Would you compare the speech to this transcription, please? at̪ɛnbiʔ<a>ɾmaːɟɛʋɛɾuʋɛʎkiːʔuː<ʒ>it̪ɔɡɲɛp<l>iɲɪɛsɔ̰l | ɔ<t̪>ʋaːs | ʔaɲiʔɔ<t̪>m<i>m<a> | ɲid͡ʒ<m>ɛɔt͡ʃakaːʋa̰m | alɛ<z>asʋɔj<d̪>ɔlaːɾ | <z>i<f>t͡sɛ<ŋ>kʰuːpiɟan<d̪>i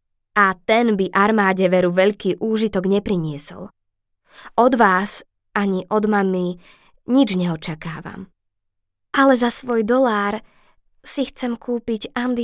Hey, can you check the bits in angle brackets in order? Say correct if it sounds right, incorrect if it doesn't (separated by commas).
correct, correct, incorrect, incorrect, incorrect, incorrect, incorrect, incorrect, correct, correct, incorrect, incorrect, incorrect, correct